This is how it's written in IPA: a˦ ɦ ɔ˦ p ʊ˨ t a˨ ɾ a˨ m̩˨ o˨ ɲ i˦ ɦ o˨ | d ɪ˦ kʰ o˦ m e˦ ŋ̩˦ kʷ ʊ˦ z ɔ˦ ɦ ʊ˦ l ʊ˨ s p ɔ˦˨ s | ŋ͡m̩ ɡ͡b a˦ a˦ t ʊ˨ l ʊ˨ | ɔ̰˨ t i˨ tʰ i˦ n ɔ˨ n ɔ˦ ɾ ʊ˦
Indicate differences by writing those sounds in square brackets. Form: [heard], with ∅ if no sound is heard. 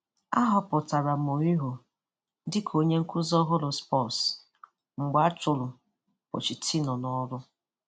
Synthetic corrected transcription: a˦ ɦ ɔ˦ p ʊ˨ t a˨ ɾ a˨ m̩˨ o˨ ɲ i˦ ɦ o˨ | d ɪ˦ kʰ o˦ [ɲ] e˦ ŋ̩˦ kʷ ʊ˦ z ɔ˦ ɦ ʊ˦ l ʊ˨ s p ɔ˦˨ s | ŋ͡m̩ ɡ͡b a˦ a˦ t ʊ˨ l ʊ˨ | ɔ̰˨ [t͡ʃ] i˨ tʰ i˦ n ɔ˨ n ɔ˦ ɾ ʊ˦